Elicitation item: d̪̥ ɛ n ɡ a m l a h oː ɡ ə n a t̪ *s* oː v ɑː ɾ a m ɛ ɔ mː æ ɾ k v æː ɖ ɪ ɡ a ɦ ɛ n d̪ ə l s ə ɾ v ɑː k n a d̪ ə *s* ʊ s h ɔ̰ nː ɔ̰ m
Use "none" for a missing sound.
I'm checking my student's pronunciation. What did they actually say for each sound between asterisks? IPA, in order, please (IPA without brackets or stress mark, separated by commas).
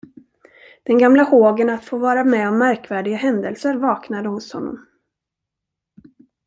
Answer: f, h